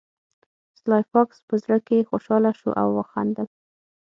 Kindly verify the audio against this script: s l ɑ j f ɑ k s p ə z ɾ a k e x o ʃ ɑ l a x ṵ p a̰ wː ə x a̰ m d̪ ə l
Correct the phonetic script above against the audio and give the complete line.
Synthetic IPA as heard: s l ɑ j f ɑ k s p ə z ɾ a k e x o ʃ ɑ l a ʃ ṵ ʔ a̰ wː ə x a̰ n d̪ ə l